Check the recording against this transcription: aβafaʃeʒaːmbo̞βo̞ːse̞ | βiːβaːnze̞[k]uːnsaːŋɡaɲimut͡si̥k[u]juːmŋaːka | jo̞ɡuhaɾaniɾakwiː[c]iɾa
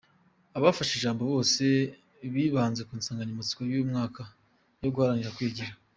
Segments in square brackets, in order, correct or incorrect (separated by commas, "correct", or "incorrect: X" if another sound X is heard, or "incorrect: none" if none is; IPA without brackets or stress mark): correct, incorrect: o, incorrect: ɟ